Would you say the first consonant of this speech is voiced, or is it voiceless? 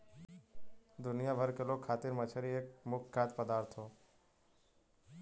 voiced